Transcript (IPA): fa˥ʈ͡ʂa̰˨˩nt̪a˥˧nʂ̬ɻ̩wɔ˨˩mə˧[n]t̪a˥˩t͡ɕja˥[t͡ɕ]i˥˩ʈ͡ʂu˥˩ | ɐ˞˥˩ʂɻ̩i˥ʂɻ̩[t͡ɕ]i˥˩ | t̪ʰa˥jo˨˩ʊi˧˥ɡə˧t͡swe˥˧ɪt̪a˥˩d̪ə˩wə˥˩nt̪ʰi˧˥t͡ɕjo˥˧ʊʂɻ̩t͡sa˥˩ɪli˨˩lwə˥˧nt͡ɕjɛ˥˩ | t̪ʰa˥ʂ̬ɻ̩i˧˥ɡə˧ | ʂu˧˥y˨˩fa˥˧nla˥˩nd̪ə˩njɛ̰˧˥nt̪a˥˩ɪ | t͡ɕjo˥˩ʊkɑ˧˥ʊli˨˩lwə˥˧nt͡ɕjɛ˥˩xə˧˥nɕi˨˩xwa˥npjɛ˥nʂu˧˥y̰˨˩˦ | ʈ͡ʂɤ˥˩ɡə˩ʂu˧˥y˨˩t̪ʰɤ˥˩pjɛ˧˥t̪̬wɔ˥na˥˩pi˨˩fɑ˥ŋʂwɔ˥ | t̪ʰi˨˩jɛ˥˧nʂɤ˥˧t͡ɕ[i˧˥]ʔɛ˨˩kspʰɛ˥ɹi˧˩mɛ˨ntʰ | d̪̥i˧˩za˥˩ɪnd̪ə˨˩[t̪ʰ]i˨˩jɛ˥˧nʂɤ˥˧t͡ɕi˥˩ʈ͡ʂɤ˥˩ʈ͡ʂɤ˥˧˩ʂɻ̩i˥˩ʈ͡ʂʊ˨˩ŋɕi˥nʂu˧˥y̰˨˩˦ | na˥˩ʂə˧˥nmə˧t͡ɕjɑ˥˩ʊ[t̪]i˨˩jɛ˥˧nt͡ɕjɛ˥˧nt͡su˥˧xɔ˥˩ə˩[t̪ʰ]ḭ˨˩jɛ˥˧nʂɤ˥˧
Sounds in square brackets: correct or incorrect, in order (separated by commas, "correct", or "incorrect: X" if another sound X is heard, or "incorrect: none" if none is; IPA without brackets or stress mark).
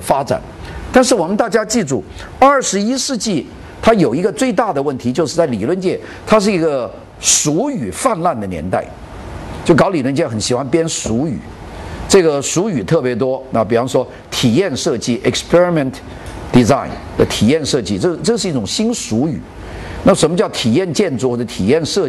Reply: correct, correct, correct, incorrect: i˥˩, correct, incorrect: t̪ʰ, correct